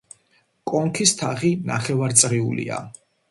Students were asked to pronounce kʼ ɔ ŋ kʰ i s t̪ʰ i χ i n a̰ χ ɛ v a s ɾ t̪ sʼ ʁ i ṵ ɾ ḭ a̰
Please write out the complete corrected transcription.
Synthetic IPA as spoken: kʼ ɔ ŋ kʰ i s t̪ʰ a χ i n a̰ χ ɛ v a ɾ t̪ sʼ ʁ i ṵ l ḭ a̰